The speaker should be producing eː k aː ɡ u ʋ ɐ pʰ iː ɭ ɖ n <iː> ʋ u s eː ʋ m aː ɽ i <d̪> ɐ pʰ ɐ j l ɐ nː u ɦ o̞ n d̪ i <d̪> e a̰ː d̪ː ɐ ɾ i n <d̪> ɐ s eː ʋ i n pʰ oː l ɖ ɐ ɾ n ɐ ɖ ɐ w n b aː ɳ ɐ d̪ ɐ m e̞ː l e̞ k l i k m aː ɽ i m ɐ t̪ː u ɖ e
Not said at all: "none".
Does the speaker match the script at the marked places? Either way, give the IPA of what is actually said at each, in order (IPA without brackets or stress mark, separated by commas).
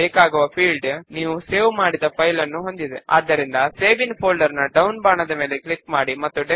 iː, d̪, d̪, d̪